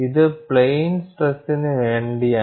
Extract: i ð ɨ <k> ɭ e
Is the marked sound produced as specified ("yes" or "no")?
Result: no